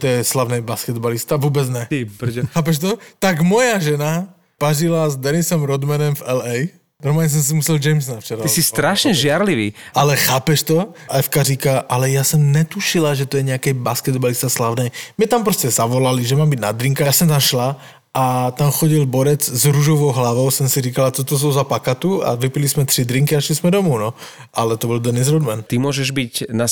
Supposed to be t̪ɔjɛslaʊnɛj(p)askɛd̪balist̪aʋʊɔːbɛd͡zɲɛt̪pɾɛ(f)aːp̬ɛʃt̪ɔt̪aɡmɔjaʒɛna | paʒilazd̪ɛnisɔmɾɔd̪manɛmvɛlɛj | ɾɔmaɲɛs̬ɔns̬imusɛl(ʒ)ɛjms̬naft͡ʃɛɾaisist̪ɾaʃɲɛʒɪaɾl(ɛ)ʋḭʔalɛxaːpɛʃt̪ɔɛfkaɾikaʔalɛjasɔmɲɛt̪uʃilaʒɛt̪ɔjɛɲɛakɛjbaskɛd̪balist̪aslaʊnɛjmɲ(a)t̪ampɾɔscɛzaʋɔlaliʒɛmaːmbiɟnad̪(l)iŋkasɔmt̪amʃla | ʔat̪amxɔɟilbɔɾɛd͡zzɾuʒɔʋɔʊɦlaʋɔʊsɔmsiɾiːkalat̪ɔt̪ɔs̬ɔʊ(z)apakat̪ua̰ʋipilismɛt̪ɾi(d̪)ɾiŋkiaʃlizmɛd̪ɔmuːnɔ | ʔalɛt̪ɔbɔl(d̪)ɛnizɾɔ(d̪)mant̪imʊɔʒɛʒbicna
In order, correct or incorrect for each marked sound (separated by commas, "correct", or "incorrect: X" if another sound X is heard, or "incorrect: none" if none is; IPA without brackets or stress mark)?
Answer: incorrect: b, incorrect: x, incorrect: d͡ʒ, incorrect: i, incorrect: ɛ, incorrect: ɾ, correct, correct, correct, correct